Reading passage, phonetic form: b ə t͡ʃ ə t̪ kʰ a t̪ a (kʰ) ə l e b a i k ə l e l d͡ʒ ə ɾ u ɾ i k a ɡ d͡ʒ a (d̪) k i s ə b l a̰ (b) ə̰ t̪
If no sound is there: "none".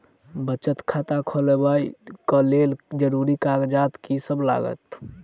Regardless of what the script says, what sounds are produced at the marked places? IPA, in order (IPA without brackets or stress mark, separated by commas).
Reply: kʰ, t̪, ɡ